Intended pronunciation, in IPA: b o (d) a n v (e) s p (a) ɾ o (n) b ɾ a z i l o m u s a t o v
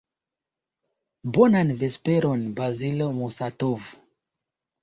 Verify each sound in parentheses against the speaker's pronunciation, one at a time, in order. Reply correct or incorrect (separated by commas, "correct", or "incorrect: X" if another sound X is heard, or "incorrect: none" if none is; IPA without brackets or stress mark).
incorrect: n, correct, incorrect: e, correct